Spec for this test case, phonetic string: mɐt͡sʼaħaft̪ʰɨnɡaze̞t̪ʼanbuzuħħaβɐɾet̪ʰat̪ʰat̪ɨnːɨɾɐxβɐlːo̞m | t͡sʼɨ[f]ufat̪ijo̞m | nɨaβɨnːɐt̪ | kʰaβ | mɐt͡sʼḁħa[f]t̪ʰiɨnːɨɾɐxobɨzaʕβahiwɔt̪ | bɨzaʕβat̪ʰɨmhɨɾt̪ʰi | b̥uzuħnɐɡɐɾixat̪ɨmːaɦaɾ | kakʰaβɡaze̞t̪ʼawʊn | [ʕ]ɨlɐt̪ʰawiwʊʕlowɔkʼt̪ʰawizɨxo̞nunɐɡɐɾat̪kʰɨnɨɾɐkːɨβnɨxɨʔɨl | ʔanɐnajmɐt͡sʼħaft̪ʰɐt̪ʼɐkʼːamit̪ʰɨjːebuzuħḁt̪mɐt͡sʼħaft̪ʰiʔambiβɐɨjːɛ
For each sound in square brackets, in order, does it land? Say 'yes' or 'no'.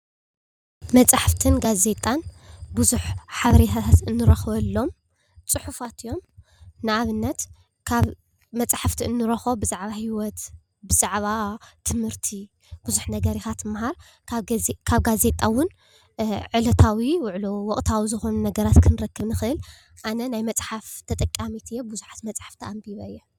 no, yes, yes

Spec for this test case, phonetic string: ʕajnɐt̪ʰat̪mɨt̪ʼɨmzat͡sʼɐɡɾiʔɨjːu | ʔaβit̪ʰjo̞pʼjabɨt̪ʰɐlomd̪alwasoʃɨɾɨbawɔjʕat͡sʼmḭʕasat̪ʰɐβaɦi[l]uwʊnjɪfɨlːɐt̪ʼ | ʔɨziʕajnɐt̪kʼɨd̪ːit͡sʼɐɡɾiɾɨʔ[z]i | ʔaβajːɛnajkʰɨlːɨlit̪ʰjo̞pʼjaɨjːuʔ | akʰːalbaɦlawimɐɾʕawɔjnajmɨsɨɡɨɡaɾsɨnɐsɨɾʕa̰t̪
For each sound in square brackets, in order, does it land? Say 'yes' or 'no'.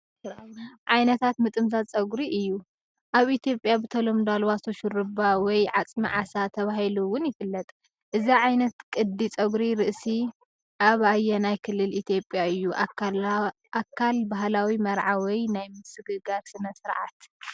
yes, no

